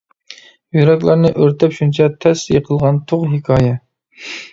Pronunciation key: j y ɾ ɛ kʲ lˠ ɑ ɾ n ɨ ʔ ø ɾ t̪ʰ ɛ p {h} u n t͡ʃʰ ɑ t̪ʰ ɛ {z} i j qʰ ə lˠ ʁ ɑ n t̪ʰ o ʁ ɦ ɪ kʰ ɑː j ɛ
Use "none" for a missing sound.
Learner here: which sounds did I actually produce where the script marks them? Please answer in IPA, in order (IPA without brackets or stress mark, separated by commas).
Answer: ʃ, s